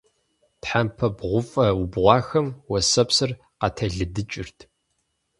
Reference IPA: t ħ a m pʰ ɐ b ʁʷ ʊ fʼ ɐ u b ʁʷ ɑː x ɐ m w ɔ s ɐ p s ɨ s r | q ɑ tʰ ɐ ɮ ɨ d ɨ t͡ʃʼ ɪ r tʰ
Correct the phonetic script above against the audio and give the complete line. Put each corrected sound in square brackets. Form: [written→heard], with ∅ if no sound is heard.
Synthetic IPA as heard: t ħ a m pʰ ɐ b ʁʷ ʊ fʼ ɐ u b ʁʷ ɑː x ɐ m w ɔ s ɐ p s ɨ [s→∅] r | q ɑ tʰ ɐ ɮ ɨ d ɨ t͡ʃʼ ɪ r tʰ